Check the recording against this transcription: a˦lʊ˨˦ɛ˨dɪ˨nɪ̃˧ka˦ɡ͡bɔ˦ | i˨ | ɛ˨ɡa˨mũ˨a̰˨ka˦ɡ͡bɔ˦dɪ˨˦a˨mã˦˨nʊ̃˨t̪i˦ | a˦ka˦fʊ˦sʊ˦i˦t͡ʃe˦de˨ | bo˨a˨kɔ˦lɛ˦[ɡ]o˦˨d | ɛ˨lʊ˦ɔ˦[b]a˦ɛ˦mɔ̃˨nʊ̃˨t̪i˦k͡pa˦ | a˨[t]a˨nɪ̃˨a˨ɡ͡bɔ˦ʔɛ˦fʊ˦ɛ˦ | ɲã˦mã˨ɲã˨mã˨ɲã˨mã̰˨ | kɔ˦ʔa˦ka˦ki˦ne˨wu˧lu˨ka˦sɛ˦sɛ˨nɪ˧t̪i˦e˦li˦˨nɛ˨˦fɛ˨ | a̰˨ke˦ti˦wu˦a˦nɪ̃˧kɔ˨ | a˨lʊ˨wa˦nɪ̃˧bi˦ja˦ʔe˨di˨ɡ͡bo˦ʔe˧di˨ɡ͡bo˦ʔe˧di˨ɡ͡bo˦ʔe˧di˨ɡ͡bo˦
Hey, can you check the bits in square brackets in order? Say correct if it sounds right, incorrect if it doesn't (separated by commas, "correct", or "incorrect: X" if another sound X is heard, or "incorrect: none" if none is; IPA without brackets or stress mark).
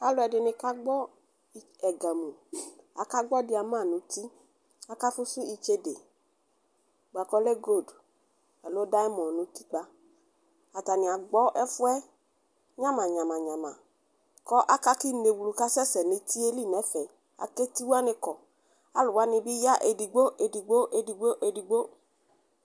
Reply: correct, incorrect: d, correct